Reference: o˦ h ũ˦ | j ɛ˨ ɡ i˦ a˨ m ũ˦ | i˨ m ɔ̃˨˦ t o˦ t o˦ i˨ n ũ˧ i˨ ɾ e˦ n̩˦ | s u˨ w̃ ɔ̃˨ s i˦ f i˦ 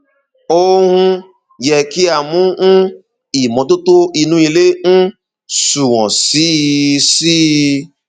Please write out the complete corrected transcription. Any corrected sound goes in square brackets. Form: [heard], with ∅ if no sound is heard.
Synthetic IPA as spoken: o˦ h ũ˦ | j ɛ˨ [k] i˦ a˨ m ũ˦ | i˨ m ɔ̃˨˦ t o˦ t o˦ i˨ n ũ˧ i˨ [l] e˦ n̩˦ | s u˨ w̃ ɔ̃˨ s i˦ [s] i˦